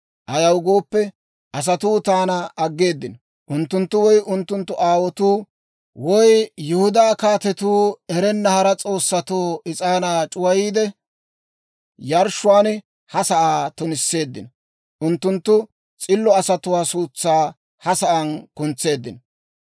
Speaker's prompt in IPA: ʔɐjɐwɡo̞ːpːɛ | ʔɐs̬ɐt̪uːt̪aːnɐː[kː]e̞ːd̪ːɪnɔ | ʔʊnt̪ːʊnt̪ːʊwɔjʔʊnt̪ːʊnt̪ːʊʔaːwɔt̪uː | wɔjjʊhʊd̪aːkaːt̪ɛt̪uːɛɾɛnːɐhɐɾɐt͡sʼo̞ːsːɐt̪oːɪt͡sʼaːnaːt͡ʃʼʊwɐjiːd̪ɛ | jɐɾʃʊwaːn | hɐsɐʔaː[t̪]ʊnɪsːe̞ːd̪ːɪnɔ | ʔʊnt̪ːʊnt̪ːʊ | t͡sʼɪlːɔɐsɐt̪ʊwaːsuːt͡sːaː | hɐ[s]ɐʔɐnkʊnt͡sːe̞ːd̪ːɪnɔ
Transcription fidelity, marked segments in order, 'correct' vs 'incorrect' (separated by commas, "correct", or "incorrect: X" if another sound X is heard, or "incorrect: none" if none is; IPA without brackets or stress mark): incorrect: ɡː, correct, correct